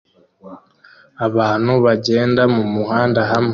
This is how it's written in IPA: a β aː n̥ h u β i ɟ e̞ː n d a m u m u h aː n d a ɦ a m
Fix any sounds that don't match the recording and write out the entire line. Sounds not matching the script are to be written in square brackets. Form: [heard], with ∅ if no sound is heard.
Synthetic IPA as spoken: a β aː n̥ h u β [a] ɟ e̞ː n d a m u m u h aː n d a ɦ a m